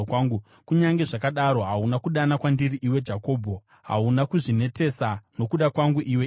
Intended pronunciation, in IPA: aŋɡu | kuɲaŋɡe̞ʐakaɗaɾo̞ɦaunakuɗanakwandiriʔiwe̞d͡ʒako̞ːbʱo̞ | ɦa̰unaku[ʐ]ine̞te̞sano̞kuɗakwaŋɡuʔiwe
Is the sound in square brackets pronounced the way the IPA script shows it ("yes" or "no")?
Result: yes